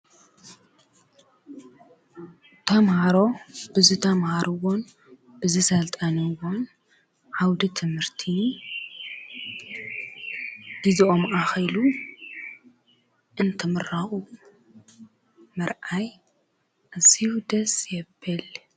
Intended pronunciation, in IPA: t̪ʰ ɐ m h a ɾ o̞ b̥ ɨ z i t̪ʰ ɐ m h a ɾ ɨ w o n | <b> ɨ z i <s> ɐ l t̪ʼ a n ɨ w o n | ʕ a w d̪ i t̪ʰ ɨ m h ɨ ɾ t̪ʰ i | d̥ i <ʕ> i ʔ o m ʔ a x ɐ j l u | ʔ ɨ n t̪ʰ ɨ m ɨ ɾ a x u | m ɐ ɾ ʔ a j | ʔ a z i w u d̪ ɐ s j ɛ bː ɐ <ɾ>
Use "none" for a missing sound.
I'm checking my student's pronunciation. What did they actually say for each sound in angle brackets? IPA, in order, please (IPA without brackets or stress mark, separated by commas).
b, s, z, l